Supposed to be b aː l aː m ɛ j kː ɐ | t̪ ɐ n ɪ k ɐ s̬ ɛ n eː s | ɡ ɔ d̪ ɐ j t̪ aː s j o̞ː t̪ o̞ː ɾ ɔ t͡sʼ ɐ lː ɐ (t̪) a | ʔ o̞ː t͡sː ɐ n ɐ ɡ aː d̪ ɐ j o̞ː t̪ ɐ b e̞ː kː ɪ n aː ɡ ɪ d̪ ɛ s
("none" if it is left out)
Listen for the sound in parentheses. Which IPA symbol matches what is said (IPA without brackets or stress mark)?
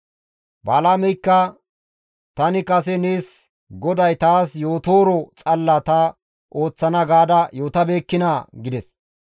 t̪